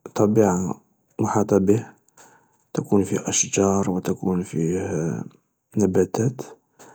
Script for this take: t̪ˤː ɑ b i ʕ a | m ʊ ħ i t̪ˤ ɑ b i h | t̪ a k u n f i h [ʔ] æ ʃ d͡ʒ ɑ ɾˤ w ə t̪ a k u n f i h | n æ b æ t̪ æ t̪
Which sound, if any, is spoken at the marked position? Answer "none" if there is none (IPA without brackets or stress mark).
ʔ